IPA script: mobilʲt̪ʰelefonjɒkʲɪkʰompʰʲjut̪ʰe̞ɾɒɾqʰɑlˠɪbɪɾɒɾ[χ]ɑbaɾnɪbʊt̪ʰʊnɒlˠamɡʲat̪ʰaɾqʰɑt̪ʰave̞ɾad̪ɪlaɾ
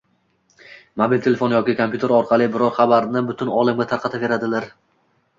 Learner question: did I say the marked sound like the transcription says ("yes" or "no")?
yes